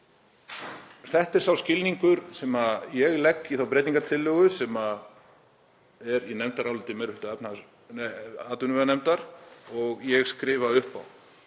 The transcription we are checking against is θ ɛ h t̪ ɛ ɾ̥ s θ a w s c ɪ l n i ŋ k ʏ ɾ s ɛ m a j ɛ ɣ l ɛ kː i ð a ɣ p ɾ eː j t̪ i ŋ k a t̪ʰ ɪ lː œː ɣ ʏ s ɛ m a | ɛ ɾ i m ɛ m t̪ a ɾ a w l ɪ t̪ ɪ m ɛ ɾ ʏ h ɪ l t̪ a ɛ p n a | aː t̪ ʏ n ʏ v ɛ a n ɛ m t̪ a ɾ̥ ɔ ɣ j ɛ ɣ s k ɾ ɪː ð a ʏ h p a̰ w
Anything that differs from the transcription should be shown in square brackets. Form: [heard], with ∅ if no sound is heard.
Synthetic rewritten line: θ ɛ h t̪ ɛ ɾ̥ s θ a w s c ɪ l n i ŋ k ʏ ɾ s ɛ m a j ɛ ɣ l ɛ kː i [θ] a [w] p ɾ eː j t̪ i ŋ k a t̪ʰ ɪ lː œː ɣ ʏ s ɛ m a | ɛ ɾ i [n] ɛ m t̪ a ɾ a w l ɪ t̪ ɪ m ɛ ɾ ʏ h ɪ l t̪ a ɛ p n a | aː t̪ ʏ n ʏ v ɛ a n ɛ m t̪ a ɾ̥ ɔ ɣ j ɛ ɣ s k ɾ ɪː [v] a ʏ h p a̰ w